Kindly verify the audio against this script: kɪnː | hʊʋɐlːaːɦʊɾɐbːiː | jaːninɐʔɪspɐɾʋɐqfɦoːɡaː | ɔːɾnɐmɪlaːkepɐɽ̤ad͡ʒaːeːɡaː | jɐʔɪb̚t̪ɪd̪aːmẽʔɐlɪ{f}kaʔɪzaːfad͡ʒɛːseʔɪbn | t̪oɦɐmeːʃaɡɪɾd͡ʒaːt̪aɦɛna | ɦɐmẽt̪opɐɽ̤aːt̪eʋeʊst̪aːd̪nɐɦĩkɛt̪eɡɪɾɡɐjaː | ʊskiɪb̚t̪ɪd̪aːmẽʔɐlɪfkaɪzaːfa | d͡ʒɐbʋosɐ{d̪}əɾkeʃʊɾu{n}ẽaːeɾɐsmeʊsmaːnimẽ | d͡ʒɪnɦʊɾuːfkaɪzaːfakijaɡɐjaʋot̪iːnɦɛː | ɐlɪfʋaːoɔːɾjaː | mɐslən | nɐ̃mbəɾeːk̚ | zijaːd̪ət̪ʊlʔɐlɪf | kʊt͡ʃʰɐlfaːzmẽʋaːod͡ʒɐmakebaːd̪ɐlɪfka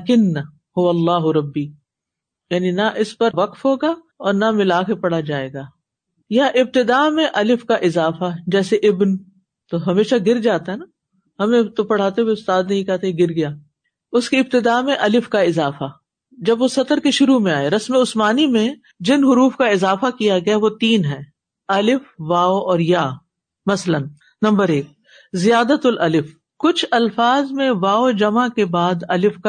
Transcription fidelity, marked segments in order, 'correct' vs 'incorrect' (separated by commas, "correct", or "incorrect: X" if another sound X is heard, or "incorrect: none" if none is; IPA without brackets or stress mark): correct, incorrect: t̪, incorrect: m